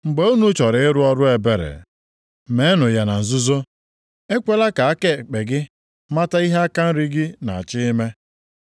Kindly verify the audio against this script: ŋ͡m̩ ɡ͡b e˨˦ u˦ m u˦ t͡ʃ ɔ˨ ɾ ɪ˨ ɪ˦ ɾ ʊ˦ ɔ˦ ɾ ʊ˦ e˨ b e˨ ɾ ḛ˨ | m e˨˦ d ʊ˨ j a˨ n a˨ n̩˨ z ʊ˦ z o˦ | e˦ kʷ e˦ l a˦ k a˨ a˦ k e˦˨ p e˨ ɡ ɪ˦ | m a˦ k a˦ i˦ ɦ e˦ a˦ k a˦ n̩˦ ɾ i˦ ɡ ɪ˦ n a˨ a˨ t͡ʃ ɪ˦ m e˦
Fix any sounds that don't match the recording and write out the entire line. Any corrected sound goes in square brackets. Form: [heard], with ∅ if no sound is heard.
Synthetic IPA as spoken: ŋ͡m̩ ɡ͡b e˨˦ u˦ [n] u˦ t͡ʃ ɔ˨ ɾ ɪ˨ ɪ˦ ɾ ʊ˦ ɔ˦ ɾ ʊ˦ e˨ b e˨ ɾ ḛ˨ | m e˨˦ [n] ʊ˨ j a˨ n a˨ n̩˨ z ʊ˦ z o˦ | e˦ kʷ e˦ l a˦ k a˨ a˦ k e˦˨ [k͡p] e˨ ɡ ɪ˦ | m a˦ [t] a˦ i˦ ɦ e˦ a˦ k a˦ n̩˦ ɾ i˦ ɡ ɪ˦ n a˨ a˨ t͡ʃ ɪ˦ m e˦